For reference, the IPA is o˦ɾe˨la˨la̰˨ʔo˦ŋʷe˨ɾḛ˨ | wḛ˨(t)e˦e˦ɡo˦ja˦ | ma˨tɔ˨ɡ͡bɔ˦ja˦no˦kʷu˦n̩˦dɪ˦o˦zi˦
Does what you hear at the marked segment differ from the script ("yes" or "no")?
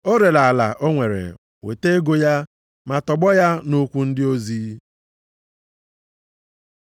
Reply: no